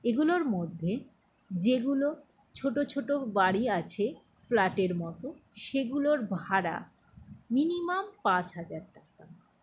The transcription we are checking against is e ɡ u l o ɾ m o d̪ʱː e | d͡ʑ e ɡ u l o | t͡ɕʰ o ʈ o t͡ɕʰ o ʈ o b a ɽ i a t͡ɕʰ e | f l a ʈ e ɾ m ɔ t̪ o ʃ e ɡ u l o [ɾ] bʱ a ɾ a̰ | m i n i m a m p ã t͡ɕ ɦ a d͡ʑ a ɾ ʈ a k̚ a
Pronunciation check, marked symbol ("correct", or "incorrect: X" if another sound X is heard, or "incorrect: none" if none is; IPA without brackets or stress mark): correct